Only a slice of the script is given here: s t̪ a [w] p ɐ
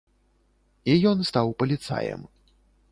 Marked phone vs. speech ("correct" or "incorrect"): correct